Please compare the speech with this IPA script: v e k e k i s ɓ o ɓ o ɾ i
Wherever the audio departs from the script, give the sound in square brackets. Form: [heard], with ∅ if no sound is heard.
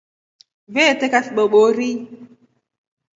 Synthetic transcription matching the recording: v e [t] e k [a] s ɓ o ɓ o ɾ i